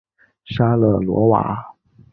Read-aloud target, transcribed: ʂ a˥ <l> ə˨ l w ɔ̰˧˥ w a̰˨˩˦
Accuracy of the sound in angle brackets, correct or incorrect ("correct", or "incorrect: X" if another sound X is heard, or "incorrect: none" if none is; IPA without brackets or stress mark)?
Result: correct